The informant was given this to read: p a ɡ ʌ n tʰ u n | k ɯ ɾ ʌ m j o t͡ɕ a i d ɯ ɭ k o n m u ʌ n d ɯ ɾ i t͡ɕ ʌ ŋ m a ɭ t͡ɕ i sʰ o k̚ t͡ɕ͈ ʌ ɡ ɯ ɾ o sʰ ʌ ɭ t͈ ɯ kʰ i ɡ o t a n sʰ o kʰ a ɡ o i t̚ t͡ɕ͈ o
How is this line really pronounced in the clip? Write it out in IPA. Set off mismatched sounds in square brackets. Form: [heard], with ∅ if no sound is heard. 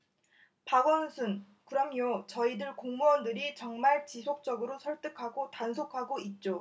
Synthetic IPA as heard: p a ɡ ʌ n [sʰ] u n | k ɯ ɾ ʌ m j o t͡ɕ [ʌ] i d ɯ ɭ k o [ŋ] m u ʌ n d ɯ ɾ i t͡ɕ ʌ ŋ m a ɭ t͡ɕ i sʰ o k̚ t͡ɕ͈ ʌ ɡ ɯ ɾ o sʰ ʌ ɭ t͈ ɯ kʰ [a] ɡ o t a n sʰ o kʰ a ɡ o i t̚ t͡ɕ͈ o